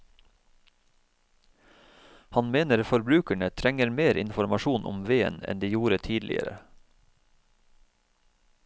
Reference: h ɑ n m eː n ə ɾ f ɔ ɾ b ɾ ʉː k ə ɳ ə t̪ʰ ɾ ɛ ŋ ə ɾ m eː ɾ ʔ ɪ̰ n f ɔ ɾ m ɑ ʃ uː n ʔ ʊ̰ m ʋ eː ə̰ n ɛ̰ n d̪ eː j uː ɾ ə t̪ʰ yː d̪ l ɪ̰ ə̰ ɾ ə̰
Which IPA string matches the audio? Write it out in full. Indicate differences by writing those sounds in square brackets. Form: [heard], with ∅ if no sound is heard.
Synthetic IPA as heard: h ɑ n m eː n ə ɾ f ɔ ɾ b ɾ ʉː k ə ɳ ə t̪ʰ ɾ ɛ ŋ ə ɾ m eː ɾ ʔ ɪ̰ n f ɔ ɾ m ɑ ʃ uː n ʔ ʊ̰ m ʋ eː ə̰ n ɛ̰ n d̪ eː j uː ɾ ə t̪ʰ [iː] d̪ l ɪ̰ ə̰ ɾ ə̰